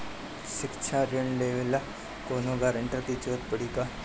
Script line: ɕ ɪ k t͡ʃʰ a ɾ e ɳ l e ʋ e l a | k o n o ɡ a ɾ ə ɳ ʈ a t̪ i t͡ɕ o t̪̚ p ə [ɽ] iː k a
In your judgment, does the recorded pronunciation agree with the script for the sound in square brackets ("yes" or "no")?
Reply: yes